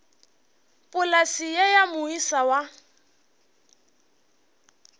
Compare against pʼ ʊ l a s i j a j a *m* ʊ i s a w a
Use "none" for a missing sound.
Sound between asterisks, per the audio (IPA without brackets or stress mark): m